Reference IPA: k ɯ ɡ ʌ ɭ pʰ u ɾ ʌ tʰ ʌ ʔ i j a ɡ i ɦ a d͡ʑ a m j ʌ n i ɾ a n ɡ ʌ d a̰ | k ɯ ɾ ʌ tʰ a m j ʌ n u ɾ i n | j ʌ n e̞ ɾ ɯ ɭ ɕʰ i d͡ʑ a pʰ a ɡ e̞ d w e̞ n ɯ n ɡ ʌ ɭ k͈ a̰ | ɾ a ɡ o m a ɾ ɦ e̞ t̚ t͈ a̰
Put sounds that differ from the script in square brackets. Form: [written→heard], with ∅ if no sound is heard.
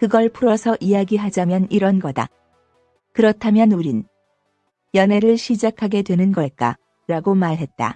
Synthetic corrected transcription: k ɯ ɡ ʌ ɭ pʰ u ɾ ʌ [tʰ→sʰ] ʌ ʔ i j a ɡ i ɦ a d͡ʑ a m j ʌ n i ɾ [a→ʌ] n ɡ ʌ d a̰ | k ɯ ɾ ʌ tʰ a m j ʌ n u ɾ i n | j ʌ n e̞ ɾ ɯ ɭ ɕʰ i d͡ʑ a [pʰ→kʰ] a ɡ e̞ d w e̞ n ɯ n ɡ ʌ ɭ k͈ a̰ | ɾ a ɡ o m a [ɾ→ɭ] ɦ e̞ t̚ t͈ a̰